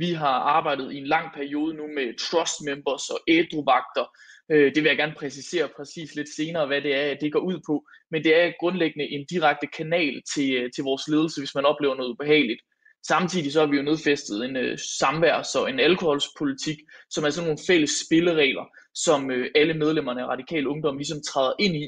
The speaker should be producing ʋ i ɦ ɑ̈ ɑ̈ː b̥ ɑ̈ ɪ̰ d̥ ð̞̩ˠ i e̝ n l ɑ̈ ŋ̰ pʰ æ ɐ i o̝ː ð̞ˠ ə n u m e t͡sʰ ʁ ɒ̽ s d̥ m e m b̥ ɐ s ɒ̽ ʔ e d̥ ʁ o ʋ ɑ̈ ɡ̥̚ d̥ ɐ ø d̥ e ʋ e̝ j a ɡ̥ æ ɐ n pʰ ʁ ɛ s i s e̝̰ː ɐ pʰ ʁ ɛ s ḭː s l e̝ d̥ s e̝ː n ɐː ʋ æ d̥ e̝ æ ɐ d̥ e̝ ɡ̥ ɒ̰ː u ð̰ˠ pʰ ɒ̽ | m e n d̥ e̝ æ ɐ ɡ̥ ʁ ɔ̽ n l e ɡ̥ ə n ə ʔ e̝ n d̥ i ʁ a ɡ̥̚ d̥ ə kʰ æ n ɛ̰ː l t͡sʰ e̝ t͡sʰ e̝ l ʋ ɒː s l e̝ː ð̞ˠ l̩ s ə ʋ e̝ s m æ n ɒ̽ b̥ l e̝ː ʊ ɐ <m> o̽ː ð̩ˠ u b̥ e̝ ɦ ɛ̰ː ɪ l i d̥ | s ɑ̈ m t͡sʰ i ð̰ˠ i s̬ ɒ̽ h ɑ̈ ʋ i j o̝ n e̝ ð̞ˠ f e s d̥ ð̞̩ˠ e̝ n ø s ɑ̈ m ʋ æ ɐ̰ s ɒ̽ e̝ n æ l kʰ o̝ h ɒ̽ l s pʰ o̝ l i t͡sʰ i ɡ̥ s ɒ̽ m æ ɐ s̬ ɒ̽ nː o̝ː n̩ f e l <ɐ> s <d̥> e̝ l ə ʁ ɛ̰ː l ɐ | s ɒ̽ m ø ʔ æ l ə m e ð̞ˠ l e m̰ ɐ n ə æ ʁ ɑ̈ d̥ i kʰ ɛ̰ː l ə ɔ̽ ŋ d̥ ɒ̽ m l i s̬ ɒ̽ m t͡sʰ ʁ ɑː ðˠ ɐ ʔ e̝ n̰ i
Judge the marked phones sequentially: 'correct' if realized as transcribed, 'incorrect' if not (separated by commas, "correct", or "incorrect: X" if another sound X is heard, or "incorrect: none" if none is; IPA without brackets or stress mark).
incorrect: n, incorrect: ə, incorrect: b̥